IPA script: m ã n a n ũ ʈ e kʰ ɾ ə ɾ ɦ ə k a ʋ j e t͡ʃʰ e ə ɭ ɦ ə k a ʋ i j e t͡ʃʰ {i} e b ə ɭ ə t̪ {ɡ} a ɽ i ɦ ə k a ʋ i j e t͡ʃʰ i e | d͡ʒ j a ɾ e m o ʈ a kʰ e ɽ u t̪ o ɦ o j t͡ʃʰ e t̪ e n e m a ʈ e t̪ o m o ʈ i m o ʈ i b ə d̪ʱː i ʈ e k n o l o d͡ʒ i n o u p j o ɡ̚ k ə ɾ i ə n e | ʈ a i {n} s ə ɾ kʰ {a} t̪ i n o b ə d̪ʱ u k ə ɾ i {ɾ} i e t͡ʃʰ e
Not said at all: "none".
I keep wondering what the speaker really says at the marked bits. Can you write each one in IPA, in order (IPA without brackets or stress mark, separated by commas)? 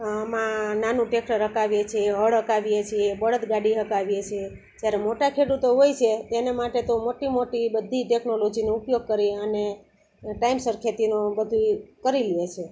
i, ɡ, m, e, l